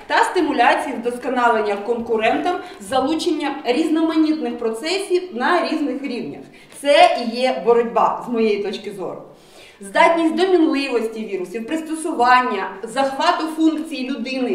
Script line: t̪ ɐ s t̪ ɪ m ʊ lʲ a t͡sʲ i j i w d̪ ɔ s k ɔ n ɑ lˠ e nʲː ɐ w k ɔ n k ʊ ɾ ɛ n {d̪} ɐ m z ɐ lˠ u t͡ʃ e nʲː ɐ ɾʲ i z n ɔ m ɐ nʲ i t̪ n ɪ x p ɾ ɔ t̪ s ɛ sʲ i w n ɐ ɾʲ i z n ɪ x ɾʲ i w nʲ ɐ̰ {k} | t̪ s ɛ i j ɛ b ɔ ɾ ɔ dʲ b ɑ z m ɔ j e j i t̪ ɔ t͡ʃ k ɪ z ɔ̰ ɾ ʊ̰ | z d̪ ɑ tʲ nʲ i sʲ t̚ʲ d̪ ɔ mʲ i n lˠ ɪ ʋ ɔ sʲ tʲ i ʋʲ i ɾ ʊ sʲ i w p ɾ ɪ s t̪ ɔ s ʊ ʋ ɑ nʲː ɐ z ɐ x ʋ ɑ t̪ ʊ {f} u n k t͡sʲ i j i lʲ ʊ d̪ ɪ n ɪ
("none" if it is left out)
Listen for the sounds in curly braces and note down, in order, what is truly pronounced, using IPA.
t̪, x, f

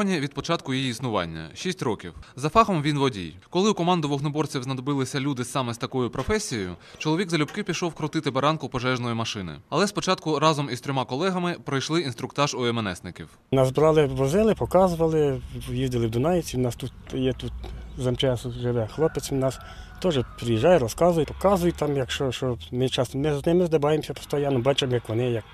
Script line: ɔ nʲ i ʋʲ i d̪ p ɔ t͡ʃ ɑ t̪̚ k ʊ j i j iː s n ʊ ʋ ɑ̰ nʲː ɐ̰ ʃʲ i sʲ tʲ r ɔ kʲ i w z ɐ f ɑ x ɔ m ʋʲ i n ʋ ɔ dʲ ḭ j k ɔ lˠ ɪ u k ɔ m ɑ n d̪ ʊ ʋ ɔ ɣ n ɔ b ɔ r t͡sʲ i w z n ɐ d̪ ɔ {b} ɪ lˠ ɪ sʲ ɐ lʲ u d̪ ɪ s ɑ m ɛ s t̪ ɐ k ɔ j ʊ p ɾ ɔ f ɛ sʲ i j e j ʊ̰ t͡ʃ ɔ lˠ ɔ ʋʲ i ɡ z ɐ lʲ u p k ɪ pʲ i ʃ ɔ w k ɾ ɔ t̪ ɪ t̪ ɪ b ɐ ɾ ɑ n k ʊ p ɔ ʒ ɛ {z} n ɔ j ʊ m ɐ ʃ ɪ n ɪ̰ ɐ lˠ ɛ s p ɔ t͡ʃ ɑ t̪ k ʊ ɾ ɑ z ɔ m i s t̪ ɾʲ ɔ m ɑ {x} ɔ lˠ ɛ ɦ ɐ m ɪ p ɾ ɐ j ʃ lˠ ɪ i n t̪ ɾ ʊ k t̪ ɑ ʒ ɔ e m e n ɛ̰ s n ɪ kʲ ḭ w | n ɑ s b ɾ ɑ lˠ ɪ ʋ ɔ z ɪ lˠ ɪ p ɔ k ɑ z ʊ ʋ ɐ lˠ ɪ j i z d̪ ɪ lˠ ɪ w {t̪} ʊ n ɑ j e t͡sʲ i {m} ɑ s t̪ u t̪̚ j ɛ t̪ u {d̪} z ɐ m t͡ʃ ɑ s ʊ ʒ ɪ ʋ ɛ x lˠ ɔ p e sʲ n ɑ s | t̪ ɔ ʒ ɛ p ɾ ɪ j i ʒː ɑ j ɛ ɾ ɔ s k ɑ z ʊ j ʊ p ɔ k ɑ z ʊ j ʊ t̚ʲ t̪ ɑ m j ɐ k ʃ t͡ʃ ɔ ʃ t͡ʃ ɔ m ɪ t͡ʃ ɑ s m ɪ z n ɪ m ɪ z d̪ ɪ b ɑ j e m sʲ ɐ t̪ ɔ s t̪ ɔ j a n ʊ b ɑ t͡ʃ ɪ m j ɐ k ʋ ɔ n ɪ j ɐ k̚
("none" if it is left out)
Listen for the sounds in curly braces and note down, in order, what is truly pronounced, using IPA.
b, ʒ, k, d̪, n, t̪

